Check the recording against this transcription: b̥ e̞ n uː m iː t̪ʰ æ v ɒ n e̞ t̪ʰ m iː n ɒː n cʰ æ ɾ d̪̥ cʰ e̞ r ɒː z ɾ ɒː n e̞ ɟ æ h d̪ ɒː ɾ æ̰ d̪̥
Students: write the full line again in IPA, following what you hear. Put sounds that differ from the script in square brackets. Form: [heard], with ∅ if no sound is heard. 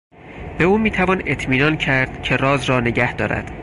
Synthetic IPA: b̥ e̞ [∅] uː m iː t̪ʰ æ v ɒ n e̞ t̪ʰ m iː n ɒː n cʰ æ ɾ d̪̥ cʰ e̞ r ɒː z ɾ ɒː n e̞ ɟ æ h d̪ ɒː ɾ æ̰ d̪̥